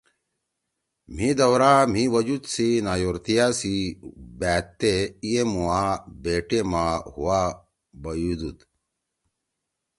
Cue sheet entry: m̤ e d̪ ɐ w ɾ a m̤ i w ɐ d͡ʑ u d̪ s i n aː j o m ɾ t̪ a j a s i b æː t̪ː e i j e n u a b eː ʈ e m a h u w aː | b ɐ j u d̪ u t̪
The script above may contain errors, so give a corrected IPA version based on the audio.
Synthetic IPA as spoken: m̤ i d̪ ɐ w ɾ a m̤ i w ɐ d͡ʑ u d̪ s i n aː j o ɾ t̪ i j a s i b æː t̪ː e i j e m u a b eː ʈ e m a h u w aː | b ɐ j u d̪ u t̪

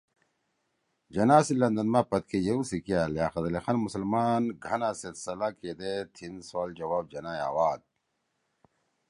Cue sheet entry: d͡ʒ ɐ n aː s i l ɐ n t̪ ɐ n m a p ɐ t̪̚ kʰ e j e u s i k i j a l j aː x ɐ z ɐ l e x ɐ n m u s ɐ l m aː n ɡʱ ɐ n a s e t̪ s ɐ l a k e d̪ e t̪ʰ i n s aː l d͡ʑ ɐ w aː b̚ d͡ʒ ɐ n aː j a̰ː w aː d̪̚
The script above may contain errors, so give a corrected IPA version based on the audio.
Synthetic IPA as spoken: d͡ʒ ɐ n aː s i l ɐ n d̪ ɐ n m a p ɐ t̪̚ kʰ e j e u s i k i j a l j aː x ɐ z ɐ l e x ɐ n m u s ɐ l m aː n ɡʱ ɐ n a s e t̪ s ɐ l a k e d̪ e t̪ʰ i n s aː l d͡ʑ ɐ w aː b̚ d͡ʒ ɐ n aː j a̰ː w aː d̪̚

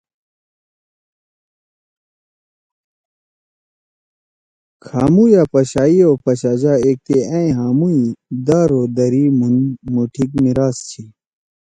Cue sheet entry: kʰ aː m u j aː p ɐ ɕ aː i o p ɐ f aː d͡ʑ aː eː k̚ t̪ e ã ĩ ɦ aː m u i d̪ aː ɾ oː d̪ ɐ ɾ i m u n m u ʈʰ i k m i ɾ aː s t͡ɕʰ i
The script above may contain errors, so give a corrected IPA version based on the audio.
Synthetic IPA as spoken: kʰ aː m u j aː p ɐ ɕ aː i o p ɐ ɕ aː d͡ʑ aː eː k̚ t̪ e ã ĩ ɦ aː m u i d̪ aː ɾ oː d̪ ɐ ɾ i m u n m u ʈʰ i k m i ɾ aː s t͡ɕʰ i

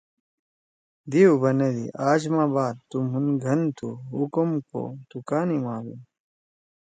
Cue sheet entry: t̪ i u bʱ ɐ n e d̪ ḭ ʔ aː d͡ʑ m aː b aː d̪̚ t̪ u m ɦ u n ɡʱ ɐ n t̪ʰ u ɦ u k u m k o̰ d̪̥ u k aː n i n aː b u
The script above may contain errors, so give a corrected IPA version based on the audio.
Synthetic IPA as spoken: d̪ i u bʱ ɐ n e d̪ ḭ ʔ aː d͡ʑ m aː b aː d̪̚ t̪ u m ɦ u n ɡʱ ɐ n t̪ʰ u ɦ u k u m k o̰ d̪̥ u k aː n i m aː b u

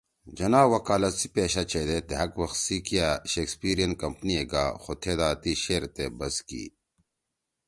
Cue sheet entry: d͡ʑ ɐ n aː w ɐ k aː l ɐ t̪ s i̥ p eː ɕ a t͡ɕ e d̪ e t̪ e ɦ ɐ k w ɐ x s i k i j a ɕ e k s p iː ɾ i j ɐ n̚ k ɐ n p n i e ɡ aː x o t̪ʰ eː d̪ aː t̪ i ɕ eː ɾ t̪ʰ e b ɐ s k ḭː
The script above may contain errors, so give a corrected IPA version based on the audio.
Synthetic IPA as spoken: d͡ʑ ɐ n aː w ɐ k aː l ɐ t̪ s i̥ p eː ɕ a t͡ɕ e d̪ e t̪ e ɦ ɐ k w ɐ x s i k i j a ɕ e k s p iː ɾ i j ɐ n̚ k ɐ m p n i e ɡ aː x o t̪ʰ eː d̪ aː t̪ i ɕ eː ɾ t̪ e b ɐ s k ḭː

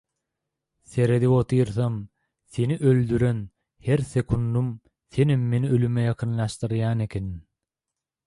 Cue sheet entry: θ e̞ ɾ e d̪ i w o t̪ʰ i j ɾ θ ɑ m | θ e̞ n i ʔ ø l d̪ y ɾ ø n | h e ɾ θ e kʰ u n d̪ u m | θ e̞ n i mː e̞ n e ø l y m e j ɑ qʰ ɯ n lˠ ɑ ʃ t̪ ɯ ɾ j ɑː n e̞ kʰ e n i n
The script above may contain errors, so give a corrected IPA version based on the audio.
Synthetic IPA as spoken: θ e̞ ɾ e d̪ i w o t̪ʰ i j ɾ θ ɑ m | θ e̞ n i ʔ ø l d̪ y ɾ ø n | h e ɾ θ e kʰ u n d̪ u m | θ e̞ n i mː e̞ n i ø l y m e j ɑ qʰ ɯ n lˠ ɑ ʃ t̪ ɯ ɾ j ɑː n e̞ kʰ e n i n

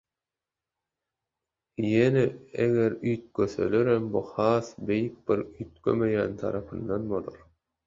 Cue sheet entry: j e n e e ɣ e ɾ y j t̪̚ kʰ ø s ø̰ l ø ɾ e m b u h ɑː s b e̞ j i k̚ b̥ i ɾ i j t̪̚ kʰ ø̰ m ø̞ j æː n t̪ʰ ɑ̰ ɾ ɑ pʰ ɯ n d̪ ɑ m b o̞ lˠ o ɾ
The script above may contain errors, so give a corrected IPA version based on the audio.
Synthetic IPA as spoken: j e n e e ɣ e ɾ y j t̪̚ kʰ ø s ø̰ l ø ɾ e m b u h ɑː s b e̞ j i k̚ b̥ i ɾ y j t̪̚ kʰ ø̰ m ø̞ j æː n t̪ʰ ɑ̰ ɾ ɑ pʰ ɯ n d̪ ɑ n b o̞ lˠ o ɾ

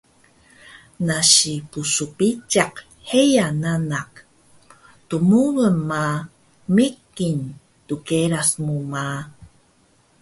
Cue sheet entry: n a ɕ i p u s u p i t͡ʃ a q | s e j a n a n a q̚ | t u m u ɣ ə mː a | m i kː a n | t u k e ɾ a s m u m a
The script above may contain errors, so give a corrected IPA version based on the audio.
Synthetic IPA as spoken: n a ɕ i p u s u p i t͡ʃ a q | h e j a n a n a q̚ | t u m u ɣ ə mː a | m i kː i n | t u k e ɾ a s m u m a

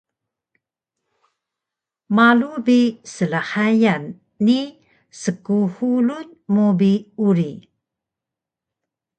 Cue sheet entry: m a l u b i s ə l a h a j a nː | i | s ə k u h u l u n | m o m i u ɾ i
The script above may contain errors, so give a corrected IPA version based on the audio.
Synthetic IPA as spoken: m a l u b i s ə l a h a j a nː | i | s ə k u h u l u n | m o b i u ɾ i

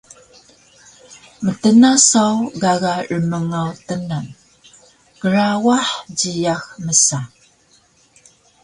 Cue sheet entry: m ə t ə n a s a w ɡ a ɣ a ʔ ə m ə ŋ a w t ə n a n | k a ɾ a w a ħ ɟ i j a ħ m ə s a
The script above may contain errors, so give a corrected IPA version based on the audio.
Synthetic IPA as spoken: m ə t ə n a s a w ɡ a ɣ a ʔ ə m ə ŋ a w t ə n a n | k ə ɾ a w a ħ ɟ i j a x m ə s a

